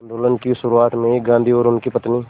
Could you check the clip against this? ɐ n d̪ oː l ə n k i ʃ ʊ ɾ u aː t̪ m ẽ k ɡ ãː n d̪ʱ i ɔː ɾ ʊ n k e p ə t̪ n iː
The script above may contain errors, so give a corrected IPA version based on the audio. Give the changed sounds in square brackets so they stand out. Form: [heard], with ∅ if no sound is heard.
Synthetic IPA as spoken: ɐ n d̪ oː l ə n k i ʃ ʊ ɾ u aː t̪ m ẽ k ɡ ãː n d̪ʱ i ɔː ɾ ʊ n k [i] p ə t̪ n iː